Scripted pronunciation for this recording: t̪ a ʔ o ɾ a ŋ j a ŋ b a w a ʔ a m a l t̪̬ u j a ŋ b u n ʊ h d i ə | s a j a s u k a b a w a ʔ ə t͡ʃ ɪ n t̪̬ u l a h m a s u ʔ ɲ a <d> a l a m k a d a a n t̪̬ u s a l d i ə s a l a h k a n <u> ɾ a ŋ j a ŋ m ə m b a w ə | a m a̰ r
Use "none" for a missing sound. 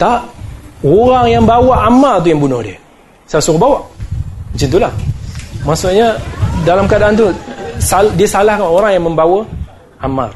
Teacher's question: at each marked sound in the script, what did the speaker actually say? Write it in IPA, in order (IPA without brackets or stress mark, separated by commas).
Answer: d, o